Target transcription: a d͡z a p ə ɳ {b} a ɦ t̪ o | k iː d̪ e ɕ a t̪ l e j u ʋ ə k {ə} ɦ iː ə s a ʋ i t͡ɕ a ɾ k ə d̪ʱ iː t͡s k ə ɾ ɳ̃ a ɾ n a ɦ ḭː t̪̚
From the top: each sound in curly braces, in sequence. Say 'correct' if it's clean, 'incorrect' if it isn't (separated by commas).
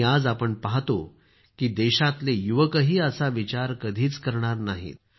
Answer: incorrect, correct